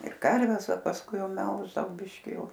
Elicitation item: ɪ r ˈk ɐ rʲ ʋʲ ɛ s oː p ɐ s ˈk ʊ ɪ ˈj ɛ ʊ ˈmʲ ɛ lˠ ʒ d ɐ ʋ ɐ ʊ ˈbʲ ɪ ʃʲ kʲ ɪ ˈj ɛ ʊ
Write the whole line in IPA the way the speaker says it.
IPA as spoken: ɪ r ˈk ɐ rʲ ʋʲ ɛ s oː p ɐ s ˈk ʊ ɪ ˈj ɛ ʊ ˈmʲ ɛ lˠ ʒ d ɐ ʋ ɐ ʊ ˈbʲ ɪ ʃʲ kʲ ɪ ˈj ɛ ʊ